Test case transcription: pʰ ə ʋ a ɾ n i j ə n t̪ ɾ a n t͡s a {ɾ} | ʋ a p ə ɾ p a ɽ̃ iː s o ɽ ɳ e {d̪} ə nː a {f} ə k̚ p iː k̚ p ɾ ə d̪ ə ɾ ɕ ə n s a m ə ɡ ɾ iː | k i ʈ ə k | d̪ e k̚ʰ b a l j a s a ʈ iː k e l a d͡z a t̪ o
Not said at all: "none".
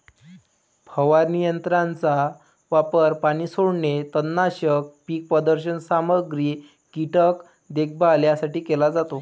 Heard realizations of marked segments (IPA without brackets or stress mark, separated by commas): none, t̪, ɕ